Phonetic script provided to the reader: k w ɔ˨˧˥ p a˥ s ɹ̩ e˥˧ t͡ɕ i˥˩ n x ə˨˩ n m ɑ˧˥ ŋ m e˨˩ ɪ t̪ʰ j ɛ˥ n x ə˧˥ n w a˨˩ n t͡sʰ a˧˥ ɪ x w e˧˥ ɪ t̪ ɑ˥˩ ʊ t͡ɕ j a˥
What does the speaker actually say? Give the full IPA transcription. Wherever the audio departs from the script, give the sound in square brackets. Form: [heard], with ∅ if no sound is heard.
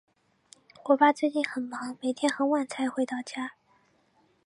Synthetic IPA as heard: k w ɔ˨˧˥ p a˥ [t͡s] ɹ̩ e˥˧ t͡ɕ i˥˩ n x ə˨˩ n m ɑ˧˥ ŋ m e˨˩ ɪ t̪ʰ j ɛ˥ n x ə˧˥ n w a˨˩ n t͡sʰ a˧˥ ɪ x w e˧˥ ɪ t̪ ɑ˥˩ ʊ t͡ɕ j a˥